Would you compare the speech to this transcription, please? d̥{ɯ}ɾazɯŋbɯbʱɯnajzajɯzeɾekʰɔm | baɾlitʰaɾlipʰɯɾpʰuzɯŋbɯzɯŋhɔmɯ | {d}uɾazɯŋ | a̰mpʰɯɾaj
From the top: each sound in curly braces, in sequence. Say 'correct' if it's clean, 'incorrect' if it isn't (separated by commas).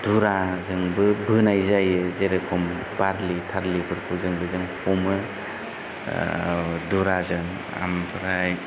incorrect, correct